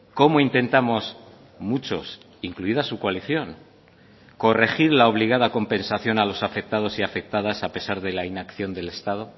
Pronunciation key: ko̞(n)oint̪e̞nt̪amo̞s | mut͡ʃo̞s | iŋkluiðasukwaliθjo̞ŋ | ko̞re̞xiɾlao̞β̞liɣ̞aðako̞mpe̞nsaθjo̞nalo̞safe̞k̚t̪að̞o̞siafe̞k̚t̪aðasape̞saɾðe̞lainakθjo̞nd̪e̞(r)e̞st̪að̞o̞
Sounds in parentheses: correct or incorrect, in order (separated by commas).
incorrect, incorrect